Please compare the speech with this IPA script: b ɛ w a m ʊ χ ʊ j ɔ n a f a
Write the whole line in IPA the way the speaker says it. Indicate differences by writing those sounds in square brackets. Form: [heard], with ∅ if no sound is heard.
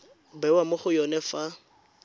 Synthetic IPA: b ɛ w a m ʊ χ ʊ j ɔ n [ɛ] f a